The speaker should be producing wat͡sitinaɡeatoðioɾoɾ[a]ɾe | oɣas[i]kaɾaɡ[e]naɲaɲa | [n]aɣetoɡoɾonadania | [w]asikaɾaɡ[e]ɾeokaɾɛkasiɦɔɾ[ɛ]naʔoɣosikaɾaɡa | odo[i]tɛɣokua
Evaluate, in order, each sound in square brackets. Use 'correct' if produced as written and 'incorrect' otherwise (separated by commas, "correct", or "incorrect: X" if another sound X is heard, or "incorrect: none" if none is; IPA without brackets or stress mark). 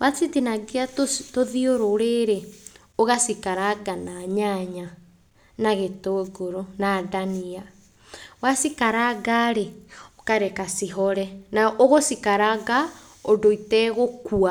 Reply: incorrect: e, correct, incorrect: a, correct, correct, incorrect: a, correct, correct